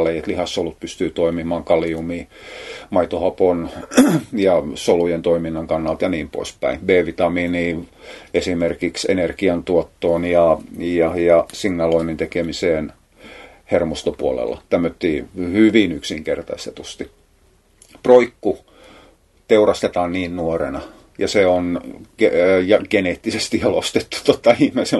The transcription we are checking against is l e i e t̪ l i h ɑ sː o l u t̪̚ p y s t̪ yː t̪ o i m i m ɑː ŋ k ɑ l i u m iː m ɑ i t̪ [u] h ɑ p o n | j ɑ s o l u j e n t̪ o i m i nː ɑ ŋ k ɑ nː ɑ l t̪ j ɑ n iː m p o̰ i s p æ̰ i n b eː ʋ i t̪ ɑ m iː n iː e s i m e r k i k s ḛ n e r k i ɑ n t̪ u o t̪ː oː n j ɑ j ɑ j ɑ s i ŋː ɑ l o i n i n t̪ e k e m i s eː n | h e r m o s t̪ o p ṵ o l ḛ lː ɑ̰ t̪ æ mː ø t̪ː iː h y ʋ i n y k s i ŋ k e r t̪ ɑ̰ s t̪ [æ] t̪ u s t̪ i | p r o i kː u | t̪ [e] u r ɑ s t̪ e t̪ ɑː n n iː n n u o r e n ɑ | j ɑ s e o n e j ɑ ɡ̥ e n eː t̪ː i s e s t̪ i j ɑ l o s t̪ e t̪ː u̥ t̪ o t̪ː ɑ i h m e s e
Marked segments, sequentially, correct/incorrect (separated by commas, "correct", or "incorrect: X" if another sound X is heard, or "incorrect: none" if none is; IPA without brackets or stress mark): incorrect: o, incorrect: e, correct